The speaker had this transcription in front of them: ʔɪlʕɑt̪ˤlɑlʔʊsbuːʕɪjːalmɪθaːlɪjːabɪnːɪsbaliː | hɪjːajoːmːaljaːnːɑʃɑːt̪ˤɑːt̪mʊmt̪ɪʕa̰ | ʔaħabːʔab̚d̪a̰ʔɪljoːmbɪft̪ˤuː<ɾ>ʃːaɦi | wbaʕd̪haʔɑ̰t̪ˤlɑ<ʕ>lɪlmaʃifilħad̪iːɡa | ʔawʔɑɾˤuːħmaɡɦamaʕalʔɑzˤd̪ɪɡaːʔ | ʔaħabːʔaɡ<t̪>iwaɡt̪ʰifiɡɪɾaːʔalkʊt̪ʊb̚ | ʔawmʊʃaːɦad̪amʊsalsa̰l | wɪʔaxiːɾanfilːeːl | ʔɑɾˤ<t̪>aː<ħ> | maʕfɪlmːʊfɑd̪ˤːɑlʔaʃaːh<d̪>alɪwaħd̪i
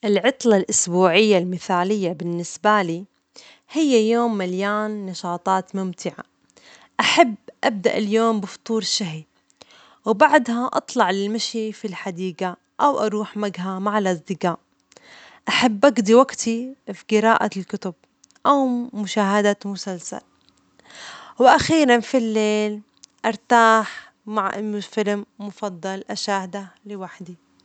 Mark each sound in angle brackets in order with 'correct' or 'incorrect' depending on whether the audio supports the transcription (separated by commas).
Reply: correct, correct, incorrect, correct, correct, correct